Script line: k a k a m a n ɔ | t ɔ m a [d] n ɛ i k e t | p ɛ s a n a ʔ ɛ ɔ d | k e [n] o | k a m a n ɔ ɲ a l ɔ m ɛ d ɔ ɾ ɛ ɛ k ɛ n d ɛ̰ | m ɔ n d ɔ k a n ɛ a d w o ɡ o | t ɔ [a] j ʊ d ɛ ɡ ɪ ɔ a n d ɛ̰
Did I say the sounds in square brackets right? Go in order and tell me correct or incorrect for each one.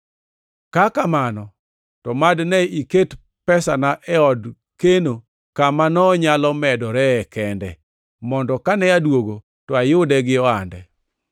correct, correct, correct

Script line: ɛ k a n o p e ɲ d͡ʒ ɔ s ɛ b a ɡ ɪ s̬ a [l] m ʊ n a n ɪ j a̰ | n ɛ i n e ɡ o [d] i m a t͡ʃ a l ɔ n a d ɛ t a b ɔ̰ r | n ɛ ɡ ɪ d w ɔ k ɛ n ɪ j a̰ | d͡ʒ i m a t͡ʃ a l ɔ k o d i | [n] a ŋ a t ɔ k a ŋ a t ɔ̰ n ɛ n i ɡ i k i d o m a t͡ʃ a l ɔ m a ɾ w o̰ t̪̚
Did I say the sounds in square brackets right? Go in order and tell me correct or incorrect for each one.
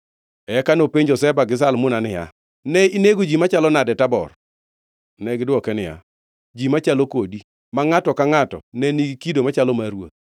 correct, incorrect, incorrect

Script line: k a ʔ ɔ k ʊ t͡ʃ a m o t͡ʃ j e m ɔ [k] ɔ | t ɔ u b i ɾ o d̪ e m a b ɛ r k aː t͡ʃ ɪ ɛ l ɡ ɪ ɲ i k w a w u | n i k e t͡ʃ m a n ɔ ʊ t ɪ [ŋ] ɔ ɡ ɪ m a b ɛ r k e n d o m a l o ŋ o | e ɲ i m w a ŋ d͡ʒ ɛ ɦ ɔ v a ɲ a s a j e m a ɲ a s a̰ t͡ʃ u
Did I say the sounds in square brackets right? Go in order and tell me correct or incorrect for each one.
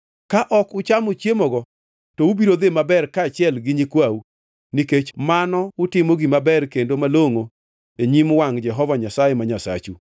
incorrect, incorrect

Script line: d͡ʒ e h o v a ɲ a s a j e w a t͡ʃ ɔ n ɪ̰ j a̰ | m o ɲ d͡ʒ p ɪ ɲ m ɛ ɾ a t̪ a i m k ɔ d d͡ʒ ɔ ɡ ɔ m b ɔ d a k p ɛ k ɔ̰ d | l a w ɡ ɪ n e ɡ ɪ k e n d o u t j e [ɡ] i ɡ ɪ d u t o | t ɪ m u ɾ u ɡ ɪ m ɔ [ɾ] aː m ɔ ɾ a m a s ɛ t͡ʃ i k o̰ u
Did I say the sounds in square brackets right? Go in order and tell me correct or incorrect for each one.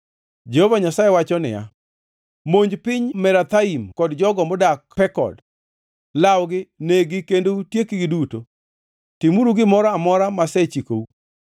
incorrect, correct

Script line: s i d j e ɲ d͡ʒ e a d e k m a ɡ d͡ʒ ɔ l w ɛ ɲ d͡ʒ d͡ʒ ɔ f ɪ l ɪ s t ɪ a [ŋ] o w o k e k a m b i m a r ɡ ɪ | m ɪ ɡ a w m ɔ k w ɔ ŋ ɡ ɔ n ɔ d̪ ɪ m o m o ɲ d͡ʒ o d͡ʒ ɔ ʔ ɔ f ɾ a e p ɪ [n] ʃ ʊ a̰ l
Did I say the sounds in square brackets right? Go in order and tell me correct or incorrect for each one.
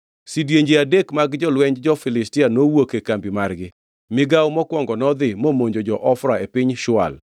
incorrect, incorrect

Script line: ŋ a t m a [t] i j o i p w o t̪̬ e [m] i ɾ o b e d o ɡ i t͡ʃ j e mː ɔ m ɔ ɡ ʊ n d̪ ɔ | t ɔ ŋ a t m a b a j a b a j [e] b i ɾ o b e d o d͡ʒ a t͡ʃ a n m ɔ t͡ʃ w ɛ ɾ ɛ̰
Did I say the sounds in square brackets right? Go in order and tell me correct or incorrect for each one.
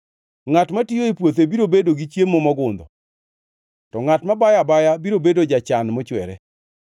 correct, incorrect, incorrect

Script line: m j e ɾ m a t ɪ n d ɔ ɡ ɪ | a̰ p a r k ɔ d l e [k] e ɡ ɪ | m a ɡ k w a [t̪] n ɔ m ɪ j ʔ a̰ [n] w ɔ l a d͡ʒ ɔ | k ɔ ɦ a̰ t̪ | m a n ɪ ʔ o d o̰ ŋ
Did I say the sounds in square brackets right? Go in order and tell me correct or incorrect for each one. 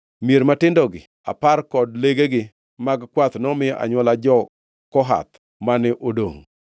incorrect, correct, incorrect

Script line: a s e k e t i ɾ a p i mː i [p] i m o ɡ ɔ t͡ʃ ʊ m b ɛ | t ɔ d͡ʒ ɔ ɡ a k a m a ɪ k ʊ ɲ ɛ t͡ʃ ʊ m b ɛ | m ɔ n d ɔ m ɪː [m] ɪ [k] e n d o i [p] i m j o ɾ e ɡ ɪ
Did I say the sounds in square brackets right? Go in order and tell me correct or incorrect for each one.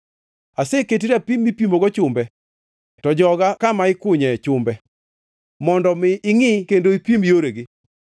correct, incorrect, correct, correct

